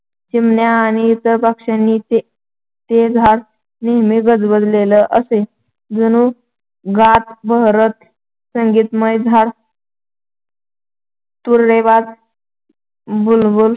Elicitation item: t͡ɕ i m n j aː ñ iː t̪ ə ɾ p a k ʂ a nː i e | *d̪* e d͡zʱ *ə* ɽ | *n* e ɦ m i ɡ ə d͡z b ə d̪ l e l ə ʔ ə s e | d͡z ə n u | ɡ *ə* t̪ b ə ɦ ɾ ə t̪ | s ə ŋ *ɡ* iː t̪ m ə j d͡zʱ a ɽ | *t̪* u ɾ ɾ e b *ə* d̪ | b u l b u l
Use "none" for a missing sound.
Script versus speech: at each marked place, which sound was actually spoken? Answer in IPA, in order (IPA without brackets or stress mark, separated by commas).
t̪, a, n, a, ɡ, t̪, a